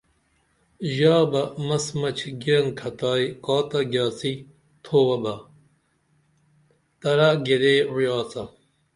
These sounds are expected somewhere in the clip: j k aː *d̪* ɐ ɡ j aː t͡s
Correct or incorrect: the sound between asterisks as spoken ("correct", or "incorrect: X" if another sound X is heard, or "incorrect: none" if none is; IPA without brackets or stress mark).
incorrect: t̪